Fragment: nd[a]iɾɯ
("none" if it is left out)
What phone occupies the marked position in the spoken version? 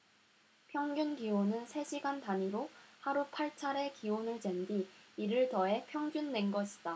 i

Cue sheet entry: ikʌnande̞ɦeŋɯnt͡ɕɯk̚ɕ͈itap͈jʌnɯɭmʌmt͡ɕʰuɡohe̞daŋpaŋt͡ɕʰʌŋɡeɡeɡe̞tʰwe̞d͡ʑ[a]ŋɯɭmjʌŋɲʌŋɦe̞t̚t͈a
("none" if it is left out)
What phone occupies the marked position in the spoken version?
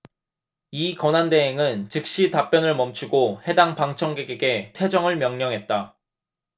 ʌ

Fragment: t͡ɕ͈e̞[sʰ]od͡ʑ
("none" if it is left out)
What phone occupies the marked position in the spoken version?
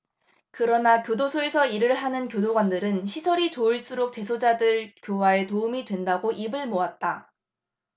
sʰ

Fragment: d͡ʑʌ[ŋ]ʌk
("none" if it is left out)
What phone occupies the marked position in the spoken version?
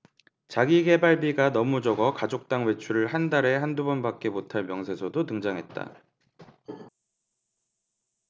ɡ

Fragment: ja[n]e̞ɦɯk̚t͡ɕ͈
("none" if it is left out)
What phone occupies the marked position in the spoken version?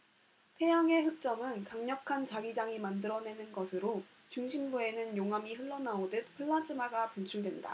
ŋ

